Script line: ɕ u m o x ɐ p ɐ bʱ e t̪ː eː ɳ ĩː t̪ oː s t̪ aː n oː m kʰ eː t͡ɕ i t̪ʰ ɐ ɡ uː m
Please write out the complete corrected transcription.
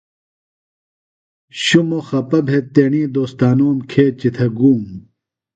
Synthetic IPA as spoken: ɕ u m o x ɐ p ɐ bʱ e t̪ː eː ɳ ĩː d̪ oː s t̪ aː n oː m kʰ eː t͡ɕ i t̪ʰ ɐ ɡ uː m